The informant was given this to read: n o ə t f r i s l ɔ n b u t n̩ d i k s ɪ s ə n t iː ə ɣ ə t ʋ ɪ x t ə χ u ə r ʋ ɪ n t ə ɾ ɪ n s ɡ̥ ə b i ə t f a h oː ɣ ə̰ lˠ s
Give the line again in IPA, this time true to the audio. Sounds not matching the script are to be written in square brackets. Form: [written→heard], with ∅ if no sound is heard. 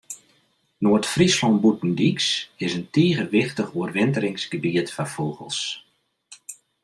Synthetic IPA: n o ə t f r i s l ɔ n b u t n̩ d i k s ɪ s ə n t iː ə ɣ ə [t→∅] ʋ ɪ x t ə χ u ə r ʋ ɪ n t ə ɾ ɪ [n→ŋ] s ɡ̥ ə b i ə t f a [h→f] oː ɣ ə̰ lˠ s